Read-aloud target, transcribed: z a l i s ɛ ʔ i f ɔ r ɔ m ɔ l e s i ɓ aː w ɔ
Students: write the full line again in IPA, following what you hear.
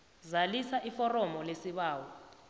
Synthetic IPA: z a l i s a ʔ i f ɔ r ɔ m ɔ l e s i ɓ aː w ɔ